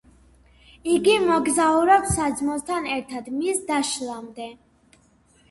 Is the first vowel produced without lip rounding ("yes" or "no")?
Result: yes